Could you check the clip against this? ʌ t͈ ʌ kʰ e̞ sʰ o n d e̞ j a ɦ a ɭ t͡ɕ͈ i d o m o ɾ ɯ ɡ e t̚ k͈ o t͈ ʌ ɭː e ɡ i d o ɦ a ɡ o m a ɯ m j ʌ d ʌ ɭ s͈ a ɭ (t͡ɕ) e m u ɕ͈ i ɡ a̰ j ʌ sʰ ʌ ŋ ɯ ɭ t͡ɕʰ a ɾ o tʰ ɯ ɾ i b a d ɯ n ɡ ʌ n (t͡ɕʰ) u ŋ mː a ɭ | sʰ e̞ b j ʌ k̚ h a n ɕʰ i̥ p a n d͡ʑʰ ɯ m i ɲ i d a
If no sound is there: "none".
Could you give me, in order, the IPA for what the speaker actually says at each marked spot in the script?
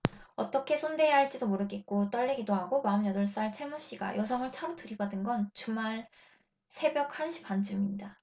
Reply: t͡ɕʰ, t͡ɕ

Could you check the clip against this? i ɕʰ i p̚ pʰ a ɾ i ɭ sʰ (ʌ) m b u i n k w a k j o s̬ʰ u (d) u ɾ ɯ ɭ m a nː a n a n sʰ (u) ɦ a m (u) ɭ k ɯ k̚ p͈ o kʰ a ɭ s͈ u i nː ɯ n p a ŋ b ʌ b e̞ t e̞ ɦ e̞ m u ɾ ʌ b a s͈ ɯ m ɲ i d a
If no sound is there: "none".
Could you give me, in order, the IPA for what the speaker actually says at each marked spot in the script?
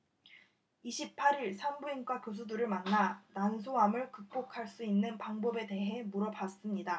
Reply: a, d, o, ɯ

